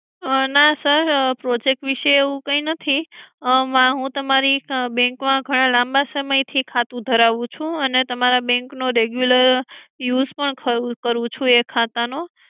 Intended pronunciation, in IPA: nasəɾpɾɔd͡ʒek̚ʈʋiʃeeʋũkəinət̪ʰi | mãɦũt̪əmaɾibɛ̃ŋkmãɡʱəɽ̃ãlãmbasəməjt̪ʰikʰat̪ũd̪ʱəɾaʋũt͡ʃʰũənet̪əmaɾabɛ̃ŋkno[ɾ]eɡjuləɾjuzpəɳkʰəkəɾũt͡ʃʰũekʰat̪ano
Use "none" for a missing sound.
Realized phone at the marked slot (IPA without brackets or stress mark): ɾ